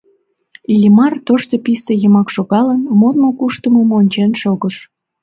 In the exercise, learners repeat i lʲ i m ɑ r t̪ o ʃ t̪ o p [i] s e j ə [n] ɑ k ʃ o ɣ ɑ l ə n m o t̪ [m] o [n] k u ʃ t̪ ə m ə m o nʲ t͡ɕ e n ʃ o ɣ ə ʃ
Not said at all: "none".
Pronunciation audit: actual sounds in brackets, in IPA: i, m, m, none

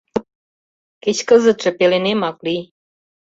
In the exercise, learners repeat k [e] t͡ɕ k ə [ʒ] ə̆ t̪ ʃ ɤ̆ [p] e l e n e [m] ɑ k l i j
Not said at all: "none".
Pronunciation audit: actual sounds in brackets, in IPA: e, z, p, m

